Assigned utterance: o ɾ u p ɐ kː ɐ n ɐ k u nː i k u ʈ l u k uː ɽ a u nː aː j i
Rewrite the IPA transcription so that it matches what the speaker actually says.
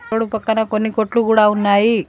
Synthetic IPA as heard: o ɽ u p ɐ kː ɐ n ɐ k o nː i k o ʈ l u k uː ɽ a u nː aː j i